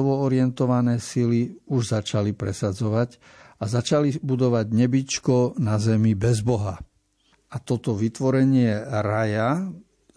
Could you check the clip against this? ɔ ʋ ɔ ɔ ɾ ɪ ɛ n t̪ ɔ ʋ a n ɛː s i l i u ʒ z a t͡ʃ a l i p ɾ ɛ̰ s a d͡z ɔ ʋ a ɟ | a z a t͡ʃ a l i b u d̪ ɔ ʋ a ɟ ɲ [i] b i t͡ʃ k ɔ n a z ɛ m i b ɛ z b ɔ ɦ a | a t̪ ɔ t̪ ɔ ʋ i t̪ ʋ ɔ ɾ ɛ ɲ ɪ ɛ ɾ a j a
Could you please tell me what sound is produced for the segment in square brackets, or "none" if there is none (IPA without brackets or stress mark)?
ɛ